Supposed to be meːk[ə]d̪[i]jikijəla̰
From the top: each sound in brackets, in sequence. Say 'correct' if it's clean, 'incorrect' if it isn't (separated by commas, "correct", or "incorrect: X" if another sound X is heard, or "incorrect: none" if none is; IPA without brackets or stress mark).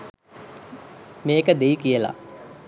correct, incorrect: e